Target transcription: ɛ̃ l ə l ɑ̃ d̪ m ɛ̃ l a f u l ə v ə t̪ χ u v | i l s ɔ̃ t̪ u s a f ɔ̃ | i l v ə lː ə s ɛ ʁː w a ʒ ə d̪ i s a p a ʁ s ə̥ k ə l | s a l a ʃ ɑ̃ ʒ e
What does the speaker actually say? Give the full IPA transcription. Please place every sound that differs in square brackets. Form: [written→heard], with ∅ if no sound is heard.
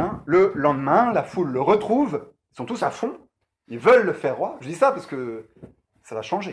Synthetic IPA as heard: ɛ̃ l ə l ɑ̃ d̪ m ɛ̃ l a f u [l→lː] ə [v→ʁ] ə t̪ χ u v | i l s ɔ̃ t̪ u s a f ɔ̃ | i l v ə lː ə [s→f] ɛ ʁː w a ʒ ə d̪ i s a p a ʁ s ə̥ k ə [l→∅] | s a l a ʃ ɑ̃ ʒ e